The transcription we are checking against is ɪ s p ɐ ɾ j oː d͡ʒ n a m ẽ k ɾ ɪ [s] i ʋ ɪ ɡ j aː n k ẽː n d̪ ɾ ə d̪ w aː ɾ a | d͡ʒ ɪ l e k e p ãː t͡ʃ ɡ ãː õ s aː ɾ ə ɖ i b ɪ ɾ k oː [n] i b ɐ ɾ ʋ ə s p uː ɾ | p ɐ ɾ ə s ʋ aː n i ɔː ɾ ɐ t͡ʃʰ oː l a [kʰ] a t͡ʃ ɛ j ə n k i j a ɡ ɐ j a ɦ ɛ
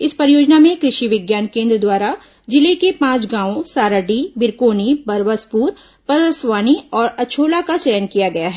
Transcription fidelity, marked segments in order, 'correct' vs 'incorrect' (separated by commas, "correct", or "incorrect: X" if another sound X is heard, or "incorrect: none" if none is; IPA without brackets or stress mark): incorrect: ʃ, correct, incorrect: k